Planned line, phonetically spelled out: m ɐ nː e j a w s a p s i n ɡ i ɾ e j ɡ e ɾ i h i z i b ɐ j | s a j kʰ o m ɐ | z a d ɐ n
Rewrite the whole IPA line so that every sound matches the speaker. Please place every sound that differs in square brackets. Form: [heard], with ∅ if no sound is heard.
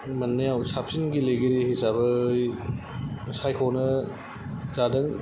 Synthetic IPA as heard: m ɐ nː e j a w s a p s i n ɡ i [l] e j ɡ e ɾ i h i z [a] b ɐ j | s a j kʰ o [n] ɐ | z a d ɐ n